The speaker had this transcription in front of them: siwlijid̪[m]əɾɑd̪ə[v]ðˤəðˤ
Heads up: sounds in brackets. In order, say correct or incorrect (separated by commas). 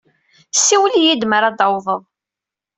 correct, incorrect